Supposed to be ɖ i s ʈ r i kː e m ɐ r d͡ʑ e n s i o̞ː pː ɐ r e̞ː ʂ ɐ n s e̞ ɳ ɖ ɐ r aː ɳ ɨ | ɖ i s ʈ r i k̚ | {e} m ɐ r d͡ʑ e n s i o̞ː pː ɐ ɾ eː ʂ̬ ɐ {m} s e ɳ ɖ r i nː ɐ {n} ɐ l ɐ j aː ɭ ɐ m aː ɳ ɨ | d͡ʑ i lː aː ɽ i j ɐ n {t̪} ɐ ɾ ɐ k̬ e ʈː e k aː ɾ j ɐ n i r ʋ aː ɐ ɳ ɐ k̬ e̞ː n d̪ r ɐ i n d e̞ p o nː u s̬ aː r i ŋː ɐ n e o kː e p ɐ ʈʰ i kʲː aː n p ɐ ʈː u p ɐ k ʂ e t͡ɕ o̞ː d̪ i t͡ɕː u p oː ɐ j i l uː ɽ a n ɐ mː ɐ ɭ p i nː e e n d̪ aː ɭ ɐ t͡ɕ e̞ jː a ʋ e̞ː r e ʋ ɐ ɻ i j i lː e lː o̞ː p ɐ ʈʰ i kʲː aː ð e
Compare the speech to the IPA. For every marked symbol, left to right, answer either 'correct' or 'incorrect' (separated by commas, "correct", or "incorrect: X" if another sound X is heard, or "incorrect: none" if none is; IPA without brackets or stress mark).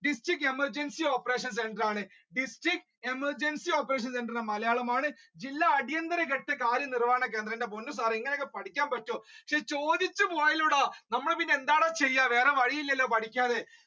correct, incorrect: n, incorrect: m, incorrect: d̪